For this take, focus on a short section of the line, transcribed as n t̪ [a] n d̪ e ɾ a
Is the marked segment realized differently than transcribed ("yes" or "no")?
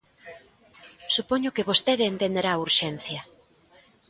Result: yes